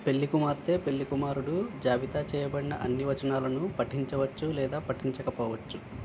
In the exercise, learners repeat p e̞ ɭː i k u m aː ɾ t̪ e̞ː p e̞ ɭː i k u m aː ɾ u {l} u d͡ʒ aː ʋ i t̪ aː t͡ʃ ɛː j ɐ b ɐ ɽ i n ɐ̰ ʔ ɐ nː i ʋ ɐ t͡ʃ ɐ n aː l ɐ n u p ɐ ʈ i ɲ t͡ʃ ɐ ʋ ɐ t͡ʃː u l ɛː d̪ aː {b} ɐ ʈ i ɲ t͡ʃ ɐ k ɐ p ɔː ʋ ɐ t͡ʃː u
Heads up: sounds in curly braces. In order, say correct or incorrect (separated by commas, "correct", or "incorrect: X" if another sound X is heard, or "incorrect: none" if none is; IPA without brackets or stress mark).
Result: incorrect: ɽ, incorrect: p